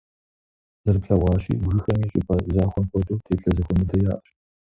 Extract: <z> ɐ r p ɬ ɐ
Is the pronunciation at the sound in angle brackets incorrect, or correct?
correct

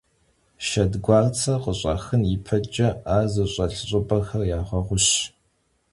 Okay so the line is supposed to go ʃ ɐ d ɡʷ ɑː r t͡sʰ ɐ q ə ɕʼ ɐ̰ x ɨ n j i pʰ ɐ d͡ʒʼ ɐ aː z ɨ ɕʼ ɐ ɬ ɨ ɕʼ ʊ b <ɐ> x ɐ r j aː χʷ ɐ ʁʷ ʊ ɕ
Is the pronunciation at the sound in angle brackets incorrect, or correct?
correct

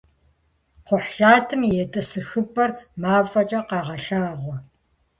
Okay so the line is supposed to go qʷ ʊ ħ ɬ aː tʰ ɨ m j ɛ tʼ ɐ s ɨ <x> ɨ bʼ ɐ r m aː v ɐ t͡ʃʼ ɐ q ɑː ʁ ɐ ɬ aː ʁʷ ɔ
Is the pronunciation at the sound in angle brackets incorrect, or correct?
correct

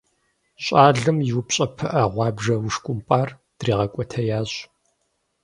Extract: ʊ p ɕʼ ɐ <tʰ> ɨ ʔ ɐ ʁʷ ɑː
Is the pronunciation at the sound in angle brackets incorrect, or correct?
incorrect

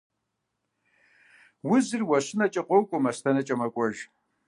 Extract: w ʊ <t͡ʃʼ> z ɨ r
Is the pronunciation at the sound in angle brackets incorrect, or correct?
incorrect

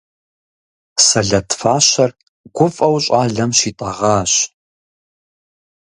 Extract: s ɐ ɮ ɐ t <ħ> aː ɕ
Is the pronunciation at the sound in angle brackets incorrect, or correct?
incorrect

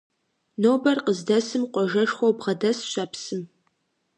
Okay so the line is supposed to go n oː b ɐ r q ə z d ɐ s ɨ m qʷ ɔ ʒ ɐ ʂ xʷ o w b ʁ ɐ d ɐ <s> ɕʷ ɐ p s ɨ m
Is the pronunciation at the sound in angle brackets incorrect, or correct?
correct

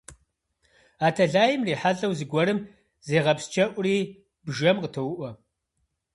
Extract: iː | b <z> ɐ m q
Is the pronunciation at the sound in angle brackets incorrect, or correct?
incorrect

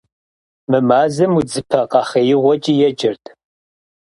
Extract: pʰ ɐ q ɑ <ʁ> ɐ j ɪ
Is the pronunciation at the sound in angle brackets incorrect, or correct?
incorrect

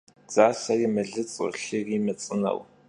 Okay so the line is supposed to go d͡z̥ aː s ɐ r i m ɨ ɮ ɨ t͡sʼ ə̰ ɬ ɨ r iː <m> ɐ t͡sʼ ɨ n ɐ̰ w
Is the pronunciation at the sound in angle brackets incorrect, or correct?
correct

